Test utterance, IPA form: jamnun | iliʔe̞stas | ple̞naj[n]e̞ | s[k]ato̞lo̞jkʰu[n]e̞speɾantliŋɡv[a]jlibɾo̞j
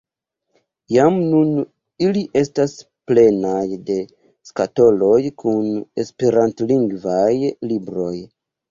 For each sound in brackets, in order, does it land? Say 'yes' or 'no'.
no, yes, yes, yes

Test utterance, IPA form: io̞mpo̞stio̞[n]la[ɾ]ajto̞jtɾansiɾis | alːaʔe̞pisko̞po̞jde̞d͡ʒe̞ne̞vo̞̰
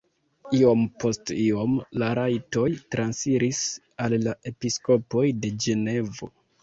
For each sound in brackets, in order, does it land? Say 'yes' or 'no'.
no, yes

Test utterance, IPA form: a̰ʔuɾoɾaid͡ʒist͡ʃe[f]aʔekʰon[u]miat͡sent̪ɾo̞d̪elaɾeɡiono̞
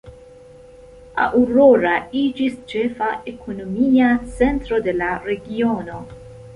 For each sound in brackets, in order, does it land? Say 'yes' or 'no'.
yes, no

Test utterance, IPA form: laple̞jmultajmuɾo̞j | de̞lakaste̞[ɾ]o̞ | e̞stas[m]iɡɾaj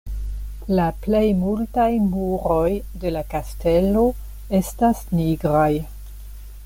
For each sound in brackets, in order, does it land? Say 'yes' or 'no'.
no, no

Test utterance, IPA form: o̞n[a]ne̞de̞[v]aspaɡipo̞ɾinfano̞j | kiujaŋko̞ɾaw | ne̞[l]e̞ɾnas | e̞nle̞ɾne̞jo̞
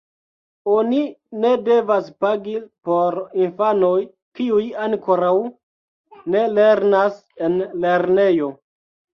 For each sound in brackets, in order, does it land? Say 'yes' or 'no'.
no, yes, yes

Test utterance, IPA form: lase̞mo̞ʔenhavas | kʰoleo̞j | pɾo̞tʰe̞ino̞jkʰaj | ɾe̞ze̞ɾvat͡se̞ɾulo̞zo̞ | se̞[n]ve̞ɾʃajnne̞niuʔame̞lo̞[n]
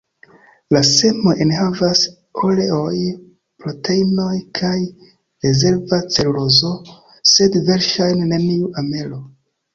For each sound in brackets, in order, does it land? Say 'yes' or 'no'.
no, no

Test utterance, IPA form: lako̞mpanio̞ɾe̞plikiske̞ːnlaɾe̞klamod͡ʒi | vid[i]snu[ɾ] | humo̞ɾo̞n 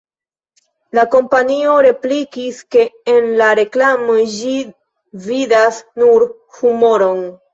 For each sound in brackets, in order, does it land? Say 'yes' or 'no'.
no, yes

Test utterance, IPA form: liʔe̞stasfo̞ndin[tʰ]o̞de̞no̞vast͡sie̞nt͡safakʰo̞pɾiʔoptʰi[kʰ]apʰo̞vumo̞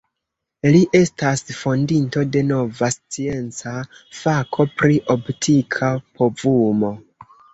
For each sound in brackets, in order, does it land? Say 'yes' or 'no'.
no, yes

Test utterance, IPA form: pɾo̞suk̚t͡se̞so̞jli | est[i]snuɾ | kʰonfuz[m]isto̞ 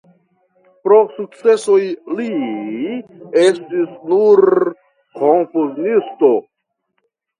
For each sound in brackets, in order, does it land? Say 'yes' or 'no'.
yes, no

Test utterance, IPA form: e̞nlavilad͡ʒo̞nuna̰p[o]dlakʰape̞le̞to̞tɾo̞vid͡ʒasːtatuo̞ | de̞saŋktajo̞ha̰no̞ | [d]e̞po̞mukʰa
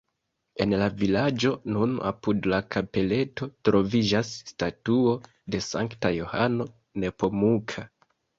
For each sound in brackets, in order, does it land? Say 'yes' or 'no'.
no, no

